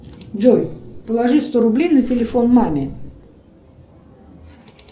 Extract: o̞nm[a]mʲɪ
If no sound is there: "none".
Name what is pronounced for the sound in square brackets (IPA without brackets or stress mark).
a